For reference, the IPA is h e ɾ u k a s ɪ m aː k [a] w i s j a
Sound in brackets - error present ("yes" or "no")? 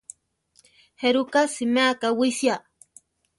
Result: no